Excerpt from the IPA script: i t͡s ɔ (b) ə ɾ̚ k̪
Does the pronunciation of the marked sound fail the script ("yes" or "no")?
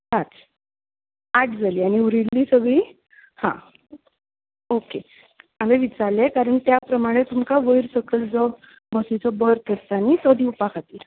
no